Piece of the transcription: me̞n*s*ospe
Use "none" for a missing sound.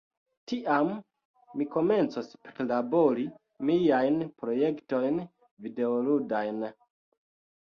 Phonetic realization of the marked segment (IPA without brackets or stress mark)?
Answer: t͡s